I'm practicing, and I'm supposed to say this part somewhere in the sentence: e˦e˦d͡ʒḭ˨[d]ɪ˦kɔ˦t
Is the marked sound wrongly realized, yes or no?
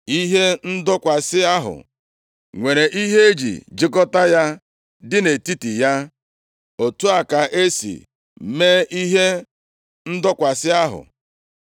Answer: yes